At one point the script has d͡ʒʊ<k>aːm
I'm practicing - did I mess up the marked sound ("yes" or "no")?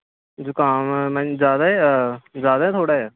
no